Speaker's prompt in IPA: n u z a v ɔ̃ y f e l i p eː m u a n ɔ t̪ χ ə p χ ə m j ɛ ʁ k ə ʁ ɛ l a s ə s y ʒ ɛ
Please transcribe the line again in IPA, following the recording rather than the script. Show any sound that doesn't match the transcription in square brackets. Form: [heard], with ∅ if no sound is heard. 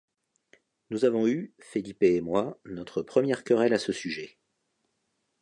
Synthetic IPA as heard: n u z a v ɔ̃ y f e l i p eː m [w] a n ɔ t̪ χ ə p χ ə m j ɛ ʁ k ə ʁ ɛ l a s ə s y ʒ ɛ